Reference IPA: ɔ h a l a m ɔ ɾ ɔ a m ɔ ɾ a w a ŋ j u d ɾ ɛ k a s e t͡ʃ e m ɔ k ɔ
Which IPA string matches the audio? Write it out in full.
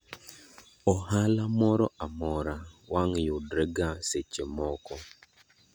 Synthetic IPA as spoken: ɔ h a l a m ɔ ɾ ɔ a m ɔ ɾ a w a ŋ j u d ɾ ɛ ɡ a s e t͡ʃ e m ɔ k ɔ

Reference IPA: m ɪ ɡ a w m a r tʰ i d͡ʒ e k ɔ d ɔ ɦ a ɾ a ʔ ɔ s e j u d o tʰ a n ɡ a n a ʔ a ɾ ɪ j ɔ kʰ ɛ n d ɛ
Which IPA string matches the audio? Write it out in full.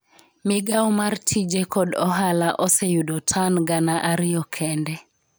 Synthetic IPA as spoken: m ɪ ɡ a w m a r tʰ i d͡ʒ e k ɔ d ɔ ɦ a l a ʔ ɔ s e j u d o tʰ a n ɡ a n a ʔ a ɾ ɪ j ɔ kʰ ɛ n d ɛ

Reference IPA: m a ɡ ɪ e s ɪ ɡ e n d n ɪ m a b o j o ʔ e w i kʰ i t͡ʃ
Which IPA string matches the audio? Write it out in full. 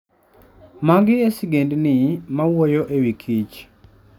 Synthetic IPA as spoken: m a ɡ ɪ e s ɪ ɡ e n d n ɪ m a w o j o ʔ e w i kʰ i t͡ʃ

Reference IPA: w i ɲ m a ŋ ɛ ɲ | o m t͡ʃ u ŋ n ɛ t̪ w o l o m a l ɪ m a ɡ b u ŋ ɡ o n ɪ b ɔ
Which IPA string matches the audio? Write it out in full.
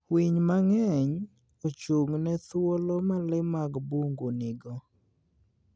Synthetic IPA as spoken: w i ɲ m a ŋ ɛ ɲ | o t͡ʃ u ŋ n ɛ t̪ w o l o m a l ɪ m a ɡ b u ŋ ɡ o n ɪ ɡ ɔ

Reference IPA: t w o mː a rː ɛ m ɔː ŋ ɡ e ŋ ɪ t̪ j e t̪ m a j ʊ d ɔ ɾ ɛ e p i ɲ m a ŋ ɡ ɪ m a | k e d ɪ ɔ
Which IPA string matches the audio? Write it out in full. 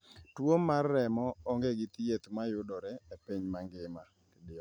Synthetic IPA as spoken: t w o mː a rː ɛ m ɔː ŋ ɡ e ɡ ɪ t̪ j e t̪ m a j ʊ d ɔ ɾ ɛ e p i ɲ m a ŋ ɡ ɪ m a | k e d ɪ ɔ

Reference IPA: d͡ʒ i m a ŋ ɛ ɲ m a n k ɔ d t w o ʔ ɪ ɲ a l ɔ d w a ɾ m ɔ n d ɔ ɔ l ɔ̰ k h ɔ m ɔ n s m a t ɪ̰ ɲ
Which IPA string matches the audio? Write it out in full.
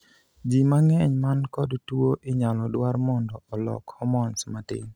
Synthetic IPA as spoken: d͡ʒ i m a ŋ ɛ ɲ m a n k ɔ d t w o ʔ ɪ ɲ a l ɔ d w a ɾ m ɔ n d ɔ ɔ l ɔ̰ k h ɔ m ɔ n s m a t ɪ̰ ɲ

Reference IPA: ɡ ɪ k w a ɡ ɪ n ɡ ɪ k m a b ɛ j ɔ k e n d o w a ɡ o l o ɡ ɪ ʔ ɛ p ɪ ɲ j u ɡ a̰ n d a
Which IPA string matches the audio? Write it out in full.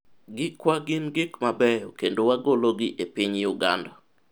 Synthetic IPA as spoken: ɡ ɪ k w a ɡ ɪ n ɡ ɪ k m a b ɛ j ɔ k e n d o w a ɡ o l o ɡ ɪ ʔ e p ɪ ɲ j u ɡ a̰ n d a

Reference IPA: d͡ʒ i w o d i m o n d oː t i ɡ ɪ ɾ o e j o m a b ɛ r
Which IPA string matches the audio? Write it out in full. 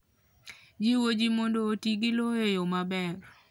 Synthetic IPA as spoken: d͡ʒ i w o d͡ʒ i m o n d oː t i ɡ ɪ l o e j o m a b ɛ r

